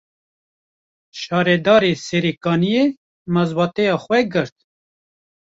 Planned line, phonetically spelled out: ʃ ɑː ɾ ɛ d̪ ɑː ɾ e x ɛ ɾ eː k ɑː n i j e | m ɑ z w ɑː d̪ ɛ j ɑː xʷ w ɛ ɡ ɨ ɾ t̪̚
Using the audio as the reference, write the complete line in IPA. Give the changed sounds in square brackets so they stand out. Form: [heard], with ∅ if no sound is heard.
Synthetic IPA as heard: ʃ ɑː ɾ ɛ d̪ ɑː ɾ e [s] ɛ ɾ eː k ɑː n i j e | m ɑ z [b] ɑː [t̪] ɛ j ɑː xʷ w ɛ ɡ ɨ ɾ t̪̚